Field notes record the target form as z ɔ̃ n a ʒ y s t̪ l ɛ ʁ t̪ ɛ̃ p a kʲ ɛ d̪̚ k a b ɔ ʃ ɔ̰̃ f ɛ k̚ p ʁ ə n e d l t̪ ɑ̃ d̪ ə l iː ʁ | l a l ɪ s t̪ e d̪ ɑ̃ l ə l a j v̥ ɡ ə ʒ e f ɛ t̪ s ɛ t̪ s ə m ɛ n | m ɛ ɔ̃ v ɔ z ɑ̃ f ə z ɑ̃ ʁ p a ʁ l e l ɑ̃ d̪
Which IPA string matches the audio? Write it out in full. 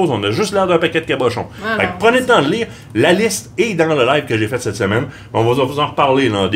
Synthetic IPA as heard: z ɔ̃ n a ʒ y s t̪ l ɛ ʁ d̪ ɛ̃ p a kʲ ɛ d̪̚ k a b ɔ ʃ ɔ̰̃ f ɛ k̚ p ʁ ə n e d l t̪ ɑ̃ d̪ ə l iː ʁ | l a l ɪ s t̪ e d̪ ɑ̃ l ə l a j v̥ k ə ʒ e f ɛ t̪ s ɛ t̪ s ə m ɛ n | m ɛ ɔ̃ v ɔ z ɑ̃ f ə z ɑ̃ ʁ p a ʁ l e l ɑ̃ d̪